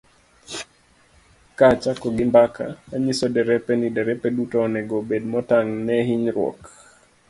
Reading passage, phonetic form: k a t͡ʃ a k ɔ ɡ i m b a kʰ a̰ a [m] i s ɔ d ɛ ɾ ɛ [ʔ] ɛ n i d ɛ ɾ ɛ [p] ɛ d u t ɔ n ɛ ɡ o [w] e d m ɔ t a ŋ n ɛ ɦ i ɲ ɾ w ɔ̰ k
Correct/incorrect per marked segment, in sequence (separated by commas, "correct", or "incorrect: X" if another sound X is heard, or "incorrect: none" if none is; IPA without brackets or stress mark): incorrect: ɲ, incorrect: p, correct, incorrect: b